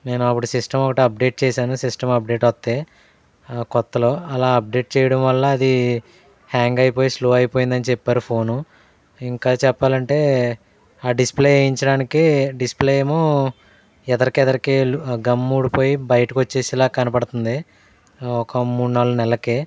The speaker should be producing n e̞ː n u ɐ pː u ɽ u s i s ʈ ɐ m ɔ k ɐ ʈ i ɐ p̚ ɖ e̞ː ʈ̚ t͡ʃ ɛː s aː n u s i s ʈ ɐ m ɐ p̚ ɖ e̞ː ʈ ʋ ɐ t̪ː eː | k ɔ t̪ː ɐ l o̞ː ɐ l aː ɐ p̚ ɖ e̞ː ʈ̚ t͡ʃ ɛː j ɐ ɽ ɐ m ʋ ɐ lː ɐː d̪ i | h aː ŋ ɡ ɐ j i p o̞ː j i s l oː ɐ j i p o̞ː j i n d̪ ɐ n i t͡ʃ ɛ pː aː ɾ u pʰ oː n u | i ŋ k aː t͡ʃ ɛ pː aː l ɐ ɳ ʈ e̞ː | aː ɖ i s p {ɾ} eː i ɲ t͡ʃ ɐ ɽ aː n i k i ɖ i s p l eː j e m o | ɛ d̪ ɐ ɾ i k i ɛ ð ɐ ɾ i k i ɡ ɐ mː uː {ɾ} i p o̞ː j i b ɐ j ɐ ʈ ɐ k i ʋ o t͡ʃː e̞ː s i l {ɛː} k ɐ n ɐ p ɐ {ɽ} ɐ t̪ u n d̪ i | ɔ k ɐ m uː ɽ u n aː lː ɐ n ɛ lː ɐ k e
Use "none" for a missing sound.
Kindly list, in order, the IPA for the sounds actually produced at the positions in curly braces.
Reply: l, ɽ, aː, ɽ

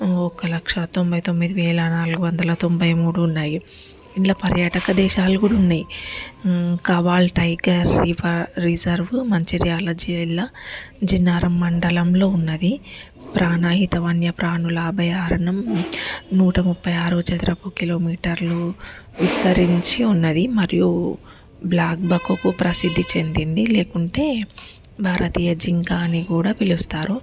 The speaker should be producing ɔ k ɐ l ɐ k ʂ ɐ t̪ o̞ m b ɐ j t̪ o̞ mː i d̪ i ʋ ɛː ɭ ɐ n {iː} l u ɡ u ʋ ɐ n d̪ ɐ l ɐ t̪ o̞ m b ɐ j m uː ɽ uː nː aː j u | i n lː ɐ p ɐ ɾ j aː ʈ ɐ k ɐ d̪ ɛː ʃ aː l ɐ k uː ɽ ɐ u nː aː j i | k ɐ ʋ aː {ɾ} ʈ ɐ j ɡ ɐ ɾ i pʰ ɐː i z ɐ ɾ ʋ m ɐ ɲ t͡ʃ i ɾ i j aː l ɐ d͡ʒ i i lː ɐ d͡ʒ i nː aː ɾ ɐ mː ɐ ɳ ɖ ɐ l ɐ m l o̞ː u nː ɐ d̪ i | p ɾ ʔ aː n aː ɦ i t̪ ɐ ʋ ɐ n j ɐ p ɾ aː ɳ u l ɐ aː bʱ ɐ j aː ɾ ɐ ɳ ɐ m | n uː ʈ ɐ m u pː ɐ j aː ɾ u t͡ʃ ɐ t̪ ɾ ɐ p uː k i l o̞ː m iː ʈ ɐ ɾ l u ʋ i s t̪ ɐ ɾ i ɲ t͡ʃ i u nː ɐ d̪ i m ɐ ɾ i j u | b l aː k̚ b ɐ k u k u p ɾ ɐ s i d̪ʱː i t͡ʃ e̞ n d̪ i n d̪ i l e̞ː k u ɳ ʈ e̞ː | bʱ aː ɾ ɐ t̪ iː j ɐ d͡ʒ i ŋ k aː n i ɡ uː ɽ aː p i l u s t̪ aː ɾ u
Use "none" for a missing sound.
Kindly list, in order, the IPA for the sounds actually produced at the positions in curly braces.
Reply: aː, l

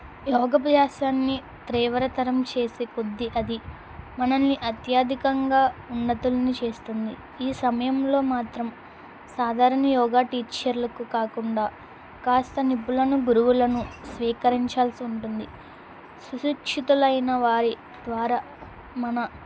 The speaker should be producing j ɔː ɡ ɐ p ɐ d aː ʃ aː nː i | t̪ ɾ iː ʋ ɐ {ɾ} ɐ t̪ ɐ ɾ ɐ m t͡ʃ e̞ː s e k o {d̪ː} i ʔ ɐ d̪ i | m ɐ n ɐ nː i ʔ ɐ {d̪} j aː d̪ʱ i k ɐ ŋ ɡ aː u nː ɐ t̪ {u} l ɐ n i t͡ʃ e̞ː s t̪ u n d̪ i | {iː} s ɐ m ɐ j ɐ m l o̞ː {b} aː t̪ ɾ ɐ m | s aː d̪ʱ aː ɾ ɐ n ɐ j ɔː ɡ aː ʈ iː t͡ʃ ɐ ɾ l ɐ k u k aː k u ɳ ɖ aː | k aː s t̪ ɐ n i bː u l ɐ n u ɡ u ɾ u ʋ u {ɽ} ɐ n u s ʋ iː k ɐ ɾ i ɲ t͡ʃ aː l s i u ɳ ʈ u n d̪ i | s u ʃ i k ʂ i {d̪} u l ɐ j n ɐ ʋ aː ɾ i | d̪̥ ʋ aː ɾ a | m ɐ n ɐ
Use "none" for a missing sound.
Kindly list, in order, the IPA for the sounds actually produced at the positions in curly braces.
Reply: ɾ, d̪ː, t̪, u, iː, m, l, t̪

